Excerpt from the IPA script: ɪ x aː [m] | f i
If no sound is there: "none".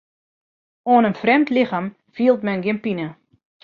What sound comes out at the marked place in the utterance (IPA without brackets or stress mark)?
m